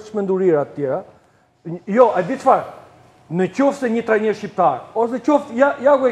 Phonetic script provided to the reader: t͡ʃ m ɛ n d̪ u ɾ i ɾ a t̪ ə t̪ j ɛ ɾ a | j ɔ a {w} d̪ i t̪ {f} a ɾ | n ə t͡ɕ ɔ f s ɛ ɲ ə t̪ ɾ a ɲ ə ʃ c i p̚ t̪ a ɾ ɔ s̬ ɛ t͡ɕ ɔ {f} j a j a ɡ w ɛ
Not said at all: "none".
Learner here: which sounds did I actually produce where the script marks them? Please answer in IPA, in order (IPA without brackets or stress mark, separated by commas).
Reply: none, f, f